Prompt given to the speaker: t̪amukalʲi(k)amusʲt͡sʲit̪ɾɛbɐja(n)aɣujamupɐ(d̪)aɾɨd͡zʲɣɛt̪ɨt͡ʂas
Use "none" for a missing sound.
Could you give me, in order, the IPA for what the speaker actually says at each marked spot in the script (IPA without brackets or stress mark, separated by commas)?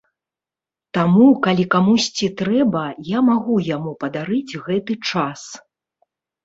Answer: k, m, d̪